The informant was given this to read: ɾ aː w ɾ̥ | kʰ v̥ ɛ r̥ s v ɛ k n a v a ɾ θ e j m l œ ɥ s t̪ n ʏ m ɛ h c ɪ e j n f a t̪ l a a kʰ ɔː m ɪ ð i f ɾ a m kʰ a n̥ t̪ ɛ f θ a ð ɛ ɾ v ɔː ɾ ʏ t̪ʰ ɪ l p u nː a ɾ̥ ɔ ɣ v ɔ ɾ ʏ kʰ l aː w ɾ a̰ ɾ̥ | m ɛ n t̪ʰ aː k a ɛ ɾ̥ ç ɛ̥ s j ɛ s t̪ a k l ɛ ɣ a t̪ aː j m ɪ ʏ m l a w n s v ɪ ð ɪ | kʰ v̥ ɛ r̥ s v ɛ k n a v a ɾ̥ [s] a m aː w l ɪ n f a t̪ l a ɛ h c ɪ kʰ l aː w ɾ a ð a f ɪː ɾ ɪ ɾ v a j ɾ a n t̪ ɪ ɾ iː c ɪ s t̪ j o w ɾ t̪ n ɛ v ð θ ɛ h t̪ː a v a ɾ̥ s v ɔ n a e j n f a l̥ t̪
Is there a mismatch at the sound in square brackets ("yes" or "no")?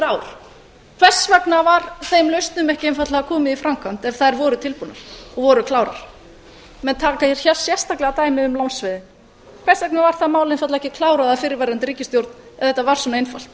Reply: yes